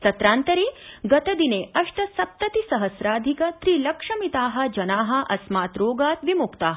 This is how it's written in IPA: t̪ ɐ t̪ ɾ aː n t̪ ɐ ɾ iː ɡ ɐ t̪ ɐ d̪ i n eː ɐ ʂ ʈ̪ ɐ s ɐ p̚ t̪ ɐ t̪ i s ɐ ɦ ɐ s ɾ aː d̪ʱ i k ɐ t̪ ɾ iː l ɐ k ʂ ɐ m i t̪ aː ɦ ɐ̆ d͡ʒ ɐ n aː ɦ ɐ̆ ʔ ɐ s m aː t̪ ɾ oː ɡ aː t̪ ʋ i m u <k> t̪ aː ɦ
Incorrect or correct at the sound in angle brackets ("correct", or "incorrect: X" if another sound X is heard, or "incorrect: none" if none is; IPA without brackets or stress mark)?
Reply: correct